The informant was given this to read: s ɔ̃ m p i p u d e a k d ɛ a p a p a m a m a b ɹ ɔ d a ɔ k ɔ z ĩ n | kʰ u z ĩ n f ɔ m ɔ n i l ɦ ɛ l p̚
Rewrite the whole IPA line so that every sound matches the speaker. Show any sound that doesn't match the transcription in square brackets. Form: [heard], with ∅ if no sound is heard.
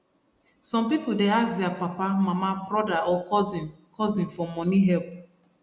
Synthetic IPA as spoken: s ɔ̃ m p i p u d e a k d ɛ a p a p a m a m a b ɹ ɔ d a ɔ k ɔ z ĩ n | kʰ [ɔ] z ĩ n f ɔ m ɔ n i [∅] ɦ ɛ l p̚